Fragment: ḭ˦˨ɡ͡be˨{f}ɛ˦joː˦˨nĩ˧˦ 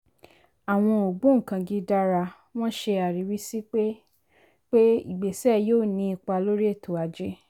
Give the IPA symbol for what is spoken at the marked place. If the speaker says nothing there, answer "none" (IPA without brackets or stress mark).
s